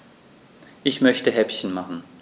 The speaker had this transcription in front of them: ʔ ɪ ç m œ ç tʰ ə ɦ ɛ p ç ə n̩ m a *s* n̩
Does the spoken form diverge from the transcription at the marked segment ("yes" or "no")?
yes